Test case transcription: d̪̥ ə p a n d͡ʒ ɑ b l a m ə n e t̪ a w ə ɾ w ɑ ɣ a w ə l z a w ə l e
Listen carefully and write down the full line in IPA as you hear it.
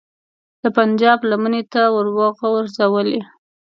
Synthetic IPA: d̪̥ ə p a n d͡ʒ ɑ b l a m ə n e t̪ a w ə ɾ w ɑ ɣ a w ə ɾ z a w ə l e